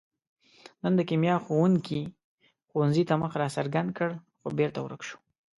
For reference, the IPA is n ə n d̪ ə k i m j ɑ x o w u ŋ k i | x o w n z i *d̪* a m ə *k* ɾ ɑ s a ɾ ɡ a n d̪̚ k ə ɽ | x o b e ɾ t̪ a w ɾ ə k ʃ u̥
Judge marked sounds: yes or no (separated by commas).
no, no